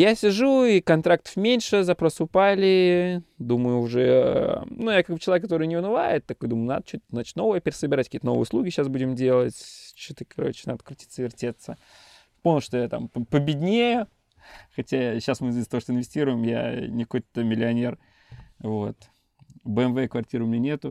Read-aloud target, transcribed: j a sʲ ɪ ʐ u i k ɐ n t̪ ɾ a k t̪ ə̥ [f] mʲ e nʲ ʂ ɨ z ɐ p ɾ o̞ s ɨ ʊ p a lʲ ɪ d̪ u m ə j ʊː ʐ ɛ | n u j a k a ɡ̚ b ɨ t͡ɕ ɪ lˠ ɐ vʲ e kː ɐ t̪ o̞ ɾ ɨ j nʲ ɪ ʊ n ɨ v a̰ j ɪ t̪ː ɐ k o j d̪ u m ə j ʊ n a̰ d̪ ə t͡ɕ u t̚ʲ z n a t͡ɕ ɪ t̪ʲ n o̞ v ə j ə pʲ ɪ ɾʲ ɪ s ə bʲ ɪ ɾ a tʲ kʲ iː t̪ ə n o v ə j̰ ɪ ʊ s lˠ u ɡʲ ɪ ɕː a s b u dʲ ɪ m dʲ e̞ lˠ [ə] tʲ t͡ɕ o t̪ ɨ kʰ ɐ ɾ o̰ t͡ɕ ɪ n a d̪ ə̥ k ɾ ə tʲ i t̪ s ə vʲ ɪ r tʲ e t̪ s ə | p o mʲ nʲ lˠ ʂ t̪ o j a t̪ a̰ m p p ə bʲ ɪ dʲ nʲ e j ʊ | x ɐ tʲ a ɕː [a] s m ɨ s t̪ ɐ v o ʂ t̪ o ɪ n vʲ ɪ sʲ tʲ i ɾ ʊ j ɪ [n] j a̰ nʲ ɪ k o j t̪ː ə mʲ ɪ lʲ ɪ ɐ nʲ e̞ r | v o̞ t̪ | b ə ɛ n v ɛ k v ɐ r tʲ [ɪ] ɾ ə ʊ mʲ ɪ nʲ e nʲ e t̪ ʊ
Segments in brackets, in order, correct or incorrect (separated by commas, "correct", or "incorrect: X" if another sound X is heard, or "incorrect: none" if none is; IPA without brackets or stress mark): correct, correct, correct, incorrect: m, incorrect: i